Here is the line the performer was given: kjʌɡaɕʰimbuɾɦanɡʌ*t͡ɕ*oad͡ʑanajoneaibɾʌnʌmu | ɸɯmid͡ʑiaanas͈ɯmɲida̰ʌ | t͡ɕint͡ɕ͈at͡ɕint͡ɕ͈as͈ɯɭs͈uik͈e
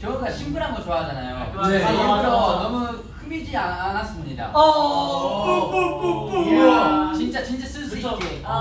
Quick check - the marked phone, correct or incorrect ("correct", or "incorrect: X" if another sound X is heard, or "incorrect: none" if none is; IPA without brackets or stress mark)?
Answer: correct